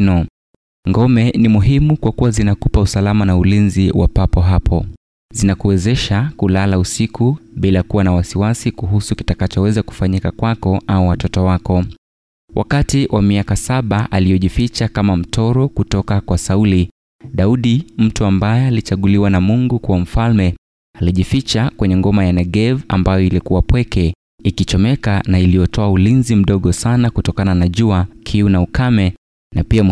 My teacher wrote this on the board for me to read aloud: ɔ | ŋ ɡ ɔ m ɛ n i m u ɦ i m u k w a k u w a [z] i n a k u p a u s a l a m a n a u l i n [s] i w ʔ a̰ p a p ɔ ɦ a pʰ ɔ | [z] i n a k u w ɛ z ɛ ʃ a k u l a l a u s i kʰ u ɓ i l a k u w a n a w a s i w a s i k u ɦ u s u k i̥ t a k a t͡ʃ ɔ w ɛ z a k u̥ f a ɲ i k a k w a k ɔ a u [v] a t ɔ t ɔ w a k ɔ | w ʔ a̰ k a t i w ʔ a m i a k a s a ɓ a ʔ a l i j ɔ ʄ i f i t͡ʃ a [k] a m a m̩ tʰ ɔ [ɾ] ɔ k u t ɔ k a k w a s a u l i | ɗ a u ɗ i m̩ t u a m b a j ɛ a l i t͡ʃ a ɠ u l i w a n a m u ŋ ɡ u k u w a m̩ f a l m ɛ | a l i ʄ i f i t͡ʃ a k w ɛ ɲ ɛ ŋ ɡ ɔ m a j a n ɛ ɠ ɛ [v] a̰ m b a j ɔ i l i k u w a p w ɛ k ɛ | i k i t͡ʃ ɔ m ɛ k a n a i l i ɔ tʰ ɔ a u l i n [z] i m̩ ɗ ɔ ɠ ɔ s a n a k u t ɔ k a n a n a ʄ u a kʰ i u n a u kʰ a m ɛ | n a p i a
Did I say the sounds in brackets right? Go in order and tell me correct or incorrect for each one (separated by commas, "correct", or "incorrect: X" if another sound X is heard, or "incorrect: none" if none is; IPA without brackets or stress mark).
correct, incorrect: z, correct, incorrect: w, correct, correct, correct, correct